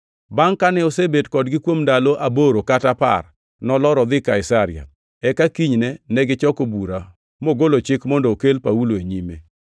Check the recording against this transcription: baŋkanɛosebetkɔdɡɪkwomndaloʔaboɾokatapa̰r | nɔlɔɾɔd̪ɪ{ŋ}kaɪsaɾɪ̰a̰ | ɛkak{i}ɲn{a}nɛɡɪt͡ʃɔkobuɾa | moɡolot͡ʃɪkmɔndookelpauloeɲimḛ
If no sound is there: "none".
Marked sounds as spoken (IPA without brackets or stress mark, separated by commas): none, i, ɛ